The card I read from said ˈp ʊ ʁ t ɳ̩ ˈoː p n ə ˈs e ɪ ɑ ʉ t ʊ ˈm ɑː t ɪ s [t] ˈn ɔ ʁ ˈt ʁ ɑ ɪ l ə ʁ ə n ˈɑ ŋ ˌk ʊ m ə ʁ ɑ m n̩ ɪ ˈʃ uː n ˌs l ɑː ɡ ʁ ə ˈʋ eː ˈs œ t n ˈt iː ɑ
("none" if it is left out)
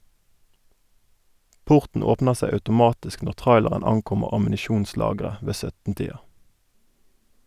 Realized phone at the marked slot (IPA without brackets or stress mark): k